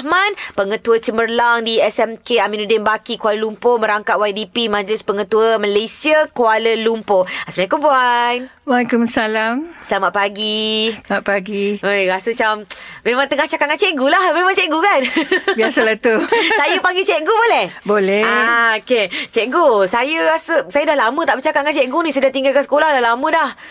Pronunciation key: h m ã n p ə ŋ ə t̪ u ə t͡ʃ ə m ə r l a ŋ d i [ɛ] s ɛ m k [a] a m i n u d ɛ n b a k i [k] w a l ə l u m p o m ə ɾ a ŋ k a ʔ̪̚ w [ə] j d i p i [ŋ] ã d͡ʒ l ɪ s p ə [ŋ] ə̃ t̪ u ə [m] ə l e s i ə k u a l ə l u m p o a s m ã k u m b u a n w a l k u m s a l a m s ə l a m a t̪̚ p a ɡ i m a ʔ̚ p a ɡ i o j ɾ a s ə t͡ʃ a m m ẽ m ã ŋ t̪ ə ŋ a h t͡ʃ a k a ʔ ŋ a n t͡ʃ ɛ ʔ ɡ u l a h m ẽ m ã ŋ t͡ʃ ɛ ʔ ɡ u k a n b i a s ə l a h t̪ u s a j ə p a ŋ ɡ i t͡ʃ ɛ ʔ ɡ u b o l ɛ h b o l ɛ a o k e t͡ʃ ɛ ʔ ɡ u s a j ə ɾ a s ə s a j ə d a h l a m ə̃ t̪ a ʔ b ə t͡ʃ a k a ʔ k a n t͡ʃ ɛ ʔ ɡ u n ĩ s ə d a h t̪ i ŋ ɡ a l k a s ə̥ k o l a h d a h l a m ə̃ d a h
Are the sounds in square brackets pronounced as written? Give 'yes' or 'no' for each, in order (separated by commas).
yes, no, yes, no, no, yes, yes